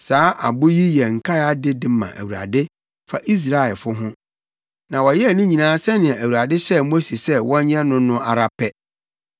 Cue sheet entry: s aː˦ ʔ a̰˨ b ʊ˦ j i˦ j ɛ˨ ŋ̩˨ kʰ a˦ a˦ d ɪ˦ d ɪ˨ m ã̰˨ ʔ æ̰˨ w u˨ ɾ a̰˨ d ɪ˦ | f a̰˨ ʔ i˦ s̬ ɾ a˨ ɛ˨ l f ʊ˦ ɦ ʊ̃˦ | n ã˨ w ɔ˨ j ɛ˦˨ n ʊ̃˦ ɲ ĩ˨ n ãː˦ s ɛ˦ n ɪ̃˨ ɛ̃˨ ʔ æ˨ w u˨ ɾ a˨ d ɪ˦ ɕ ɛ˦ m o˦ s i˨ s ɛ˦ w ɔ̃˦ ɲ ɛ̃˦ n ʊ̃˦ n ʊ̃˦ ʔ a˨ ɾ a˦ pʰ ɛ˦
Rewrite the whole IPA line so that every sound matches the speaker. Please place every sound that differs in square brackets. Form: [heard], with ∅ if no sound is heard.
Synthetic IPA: s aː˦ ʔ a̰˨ b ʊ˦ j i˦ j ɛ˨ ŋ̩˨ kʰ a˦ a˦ d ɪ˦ d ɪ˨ m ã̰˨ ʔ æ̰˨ w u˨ ɾ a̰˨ d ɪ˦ | f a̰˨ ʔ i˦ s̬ ɾ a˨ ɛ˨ l f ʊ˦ ɦ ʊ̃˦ | n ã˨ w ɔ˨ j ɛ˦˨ n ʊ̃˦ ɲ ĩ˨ n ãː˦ s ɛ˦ n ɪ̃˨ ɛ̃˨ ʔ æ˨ w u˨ ɾ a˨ d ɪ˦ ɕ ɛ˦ m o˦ s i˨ s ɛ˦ w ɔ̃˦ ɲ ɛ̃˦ n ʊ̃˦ n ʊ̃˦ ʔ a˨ ɾ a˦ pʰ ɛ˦